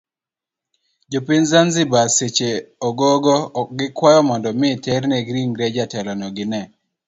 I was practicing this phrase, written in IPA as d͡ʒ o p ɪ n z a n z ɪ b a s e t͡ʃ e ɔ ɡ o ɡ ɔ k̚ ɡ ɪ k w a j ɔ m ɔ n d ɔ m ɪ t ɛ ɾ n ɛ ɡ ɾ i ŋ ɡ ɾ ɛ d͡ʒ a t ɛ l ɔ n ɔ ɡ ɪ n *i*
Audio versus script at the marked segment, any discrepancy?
yes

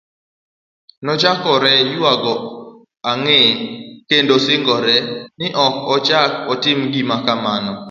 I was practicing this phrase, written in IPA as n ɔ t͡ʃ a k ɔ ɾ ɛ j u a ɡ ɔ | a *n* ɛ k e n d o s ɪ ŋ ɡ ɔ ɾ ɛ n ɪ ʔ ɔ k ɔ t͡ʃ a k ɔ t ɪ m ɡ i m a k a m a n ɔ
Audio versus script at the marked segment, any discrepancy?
yes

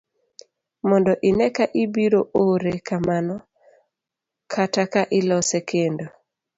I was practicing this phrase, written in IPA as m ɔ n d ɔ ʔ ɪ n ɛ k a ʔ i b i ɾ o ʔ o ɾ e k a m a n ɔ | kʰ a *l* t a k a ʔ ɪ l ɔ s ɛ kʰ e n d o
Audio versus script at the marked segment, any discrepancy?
yes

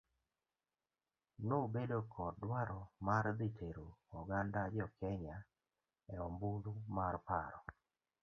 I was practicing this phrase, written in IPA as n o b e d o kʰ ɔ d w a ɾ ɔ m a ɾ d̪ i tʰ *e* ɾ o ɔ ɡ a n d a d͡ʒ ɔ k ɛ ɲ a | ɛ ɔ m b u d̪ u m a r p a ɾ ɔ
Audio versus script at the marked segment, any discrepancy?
no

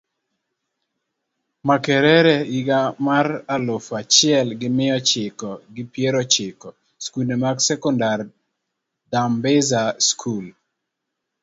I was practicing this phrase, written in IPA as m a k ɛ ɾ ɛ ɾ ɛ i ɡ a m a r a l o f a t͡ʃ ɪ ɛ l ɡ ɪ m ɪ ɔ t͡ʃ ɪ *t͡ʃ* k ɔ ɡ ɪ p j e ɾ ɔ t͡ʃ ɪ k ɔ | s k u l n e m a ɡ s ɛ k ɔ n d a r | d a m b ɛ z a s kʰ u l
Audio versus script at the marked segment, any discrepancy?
yes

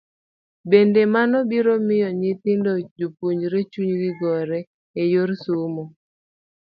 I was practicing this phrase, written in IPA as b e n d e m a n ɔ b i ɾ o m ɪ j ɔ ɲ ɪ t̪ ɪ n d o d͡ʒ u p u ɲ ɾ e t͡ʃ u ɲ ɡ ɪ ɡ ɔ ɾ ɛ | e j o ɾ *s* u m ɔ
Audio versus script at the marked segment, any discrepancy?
no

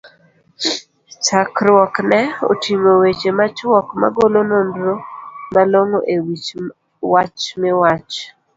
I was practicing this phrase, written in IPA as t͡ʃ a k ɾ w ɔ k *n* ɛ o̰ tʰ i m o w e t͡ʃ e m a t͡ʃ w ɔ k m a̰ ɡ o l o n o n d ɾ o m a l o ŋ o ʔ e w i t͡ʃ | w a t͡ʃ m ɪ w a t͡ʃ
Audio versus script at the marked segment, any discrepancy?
no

